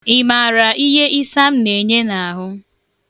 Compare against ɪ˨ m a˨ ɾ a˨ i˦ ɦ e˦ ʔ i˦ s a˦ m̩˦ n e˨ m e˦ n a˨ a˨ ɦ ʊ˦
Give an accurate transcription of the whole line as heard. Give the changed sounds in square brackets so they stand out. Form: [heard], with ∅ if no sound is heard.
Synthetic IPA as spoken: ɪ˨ m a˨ ɾ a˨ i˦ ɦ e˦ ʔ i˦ s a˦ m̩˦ n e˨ [ɲ] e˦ n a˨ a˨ ɦ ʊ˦